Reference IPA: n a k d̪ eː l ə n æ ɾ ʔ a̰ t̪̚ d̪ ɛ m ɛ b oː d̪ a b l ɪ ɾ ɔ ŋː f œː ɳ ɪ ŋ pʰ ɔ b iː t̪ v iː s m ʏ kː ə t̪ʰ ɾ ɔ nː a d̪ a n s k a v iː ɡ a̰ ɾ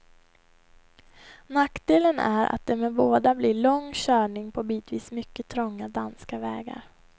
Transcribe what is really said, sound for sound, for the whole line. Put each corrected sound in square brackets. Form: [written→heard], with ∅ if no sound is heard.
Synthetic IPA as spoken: n a k d̪ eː l ə n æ ɾ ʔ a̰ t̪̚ d̪ ɛ m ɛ b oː d̪ a b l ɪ [ɾ→ɭ] ɔ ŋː [f→ɕ] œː ɳ ɪ ŋ pʰ ɔ b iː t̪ v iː s m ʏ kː ə t̪ʰ ɾ ɔ [nː→ŋː] a d̪ a n s k a v [iː→ɛː] ɡ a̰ ɾ